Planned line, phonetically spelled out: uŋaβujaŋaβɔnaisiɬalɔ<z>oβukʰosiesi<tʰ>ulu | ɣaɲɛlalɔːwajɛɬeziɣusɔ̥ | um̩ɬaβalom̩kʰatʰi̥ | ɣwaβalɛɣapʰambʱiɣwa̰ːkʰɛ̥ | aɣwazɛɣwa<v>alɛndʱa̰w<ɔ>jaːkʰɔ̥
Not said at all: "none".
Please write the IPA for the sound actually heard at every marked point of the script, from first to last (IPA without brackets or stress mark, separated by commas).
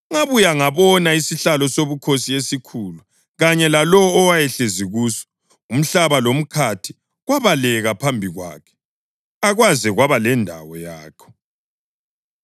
s, kʰ, β, ɔ